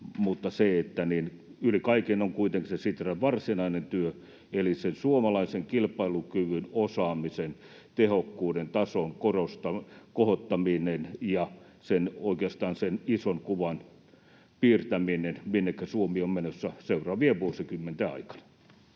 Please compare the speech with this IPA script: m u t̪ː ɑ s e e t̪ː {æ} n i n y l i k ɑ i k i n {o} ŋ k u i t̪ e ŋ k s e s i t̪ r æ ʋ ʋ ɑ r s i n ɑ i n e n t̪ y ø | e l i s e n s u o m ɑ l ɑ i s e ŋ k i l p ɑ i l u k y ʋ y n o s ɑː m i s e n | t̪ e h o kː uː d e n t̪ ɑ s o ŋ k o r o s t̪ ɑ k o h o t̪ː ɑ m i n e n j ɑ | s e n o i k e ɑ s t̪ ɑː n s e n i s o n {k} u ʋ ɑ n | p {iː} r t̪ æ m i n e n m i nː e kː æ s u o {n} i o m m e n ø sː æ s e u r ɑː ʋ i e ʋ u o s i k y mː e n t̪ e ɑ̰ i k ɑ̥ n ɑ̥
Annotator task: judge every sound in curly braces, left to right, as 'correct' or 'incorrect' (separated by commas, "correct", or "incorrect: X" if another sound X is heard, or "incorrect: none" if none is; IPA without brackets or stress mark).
correct, correct, correct, correct, incorrect: m